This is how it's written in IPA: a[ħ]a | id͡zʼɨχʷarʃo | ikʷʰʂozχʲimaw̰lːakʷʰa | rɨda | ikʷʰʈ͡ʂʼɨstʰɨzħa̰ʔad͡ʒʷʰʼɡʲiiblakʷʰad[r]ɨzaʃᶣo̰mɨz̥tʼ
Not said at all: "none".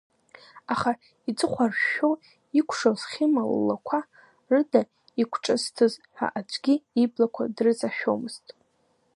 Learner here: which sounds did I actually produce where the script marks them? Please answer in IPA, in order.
χ, r

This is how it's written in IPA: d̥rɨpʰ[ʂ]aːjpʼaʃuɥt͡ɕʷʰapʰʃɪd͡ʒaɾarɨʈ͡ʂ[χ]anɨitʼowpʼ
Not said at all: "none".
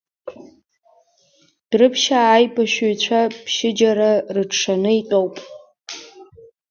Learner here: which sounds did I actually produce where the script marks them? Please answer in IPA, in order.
ʃ, ʂ

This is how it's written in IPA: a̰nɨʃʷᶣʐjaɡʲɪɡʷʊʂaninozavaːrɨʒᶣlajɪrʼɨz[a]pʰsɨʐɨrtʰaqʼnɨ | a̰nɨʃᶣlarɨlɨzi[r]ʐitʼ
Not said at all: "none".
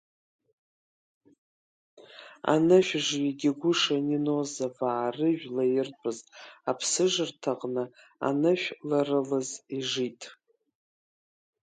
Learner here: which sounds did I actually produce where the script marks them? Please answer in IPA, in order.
a, none

